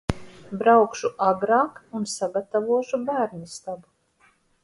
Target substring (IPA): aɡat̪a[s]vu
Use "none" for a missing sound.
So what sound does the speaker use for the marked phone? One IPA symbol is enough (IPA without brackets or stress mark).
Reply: none